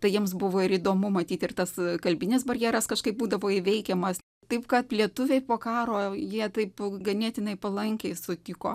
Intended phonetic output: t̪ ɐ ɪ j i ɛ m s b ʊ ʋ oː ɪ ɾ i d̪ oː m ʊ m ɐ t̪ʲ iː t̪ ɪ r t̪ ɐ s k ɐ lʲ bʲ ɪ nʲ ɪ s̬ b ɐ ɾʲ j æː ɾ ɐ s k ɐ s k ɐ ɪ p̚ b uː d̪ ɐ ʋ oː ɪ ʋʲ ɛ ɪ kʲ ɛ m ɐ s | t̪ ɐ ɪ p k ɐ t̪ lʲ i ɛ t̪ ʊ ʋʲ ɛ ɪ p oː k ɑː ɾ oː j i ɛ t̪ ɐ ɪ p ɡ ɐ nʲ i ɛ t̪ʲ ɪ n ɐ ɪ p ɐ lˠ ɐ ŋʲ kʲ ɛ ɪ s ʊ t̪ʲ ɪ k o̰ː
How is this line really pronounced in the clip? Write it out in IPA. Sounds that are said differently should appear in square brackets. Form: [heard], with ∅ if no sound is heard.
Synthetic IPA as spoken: t̪ ɐ ɪ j i ɛ m s b ʊ ʋ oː ɪ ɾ i d̪ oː m ʊ m ɐ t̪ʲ iː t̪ ɪ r t̪ ɐ s k ɐ lʲ bʲ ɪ nʲ ɪ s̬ b ɐ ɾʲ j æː ɾ ɐ s k ɐ [ʃ] k ɐ ɪ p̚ b uː d̪ ɐ ʋ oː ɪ ʋʲ ɛ ɪ kʲ ɛ m ɐ s | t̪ ɐ ɪ p k ɐ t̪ lʲ i ɛ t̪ ʊ ʋʲ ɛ ɪ p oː k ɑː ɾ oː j i ɛ t̪ ɐ ɪ p ɡ ɐ nʲ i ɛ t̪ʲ ɪ n ɐ ɪ p ɐ lˠ ɐ ŋʲ kʲ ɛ ɪ s ʊ t̪ʲ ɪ k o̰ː